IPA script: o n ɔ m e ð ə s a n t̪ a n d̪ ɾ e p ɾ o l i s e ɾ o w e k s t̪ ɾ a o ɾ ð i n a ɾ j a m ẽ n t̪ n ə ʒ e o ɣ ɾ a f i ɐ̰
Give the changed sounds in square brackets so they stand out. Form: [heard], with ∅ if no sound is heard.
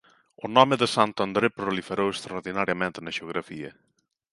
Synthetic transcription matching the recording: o n ɔ m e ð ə s a n t̪ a n d̪ ɾ e p ɾ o l i [f] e ɾ o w e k s t̪ ɾ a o ɾ ð i n a ɾ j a m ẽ n t̪ n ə ʒ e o ɣ ɾ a f i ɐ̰